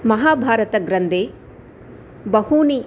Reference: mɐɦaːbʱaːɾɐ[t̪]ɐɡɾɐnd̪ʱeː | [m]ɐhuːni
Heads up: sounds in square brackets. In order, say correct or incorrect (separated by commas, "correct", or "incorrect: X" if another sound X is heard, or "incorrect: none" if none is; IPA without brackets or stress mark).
correct, incorrect: b